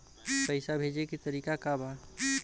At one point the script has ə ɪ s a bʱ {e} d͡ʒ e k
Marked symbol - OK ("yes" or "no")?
yes